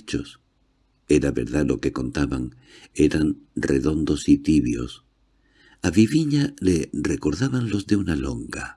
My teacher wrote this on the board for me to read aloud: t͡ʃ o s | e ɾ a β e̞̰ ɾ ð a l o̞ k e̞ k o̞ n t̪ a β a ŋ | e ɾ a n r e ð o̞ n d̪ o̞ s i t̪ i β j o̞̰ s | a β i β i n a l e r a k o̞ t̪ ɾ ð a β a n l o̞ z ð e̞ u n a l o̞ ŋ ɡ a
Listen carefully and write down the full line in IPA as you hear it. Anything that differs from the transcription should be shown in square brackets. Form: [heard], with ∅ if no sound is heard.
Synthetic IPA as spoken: t͡ʃ o s | e ɾ a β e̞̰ ɾ ð a l o̞ k e̞ k o̞ n t̪ a β a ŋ | e ɾ a n r e ð o̞ n d̪ o̞ s i t̪ i β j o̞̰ s | a β i β i [ɲ] a l e r [e] k o̞ [∅] ɾ ð a β a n l o̞ z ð e̞ u n a l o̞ ŋ ɡ a